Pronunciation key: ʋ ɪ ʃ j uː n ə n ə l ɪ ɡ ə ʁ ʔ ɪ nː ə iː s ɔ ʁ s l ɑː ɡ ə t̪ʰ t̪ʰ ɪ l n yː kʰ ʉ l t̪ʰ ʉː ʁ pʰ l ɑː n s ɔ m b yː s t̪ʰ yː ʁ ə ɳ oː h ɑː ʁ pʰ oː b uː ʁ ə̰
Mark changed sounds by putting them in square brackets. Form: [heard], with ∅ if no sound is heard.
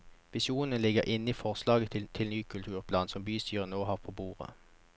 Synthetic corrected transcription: ʋ ɪ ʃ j uː n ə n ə l ɪ ɡ ə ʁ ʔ ɪ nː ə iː [f] ɔ ʁ s l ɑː ɡ ə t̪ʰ t̪ʰ ɪ l n yː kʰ ʉ l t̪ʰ ʉː ʁ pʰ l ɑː n s ɔ m b yː s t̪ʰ yː ʁ ə [n] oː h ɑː ʁ pʰ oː b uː ʁ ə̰